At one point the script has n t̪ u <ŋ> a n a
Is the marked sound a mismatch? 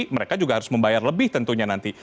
yes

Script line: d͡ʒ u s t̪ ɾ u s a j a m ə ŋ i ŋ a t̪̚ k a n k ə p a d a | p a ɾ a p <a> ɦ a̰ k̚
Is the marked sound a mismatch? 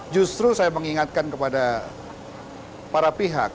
yes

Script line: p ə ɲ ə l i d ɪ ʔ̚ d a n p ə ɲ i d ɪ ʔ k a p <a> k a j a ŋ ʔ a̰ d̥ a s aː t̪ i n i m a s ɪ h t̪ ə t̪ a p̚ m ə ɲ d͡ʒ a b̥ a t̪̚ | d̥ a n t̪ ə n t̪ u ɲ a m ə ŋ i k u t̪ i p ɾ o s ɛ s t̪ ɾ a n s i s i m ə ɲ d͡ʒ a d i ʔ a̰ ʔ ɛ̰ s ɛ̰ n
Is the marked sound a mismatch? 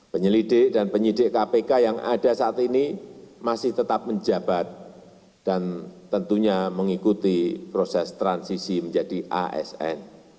yes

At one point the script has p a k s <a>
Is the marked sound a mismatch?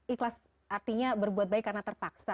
no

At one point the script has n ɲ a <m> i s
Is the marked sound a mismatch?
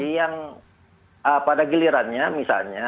no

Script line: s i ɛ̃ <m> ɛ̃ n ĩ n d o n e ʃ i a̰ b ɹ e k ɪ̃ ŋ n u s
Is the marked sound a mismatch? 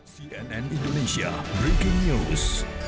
yes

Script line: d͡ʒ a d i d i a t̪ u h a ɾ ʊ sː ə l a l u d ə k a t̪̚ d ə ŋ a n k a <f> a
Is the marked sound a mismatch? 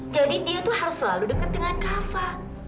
no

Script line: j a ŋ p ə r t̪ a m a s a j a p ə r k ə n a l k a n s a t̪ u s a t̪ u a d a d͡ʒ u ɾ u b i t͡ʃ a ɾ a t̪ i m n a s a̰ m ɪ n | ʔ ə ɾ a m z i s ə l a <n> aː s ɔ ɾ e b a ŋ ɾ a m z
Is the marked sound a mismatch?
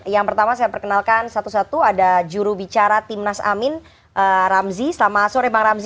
yes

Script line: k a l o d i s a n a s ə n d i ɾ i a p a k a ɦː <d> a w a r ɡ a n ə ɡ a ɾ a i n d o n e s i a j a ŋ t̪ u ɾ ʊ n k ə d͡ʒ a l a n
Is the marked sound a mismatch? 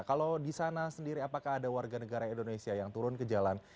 no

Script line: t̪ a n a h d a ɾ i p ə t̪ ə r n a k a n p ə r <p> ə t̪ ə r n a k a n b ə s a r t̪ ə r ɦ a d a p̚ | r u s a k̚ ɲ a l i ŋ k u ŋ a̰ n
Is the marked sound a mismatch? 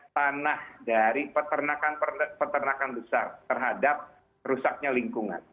no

